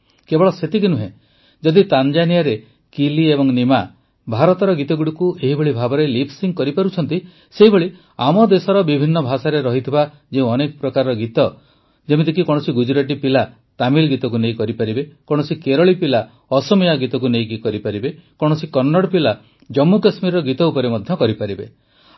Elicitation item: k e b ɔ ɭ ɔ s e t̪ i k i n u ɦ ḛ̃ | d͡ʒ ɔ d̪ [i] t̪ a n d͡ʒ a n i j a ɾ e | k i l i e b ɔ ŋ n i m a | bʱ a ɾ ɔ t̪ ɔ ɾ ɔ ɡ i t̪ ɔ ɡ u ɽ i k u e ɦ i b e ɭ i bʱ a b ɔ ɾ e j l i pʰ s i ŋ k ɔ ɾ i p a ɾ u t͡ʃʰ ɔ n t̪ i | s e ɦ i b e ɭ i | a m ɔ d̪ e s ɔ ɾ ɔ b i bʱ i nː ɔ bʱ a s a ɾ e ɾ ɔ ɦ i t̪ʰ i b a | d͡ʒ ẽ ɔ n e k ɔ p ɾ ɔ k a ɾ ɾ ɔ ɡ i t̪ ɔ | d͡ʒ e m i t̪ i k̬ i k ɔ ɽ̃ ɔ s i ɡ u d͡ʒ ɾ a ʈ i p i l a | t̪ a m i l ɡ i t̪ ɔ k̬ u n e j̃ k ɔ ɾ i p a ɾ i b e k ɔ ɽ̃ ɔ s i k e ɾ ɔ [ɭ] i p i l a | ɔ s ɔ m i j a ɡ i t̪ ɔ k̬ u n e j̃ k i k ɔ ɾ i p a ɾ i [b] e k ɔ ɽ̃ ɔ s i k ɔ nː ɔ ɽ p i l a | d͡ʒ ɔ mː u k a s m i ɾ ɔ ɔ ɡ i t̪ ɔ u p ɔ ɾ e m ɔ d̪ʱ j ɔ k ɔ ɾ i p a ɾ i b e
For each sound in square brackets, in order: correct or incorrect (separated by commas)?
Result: correct, correct, correct